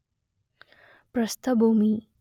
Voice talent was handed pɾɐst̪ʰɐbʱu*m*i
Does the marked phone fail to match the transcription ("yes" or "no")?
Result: no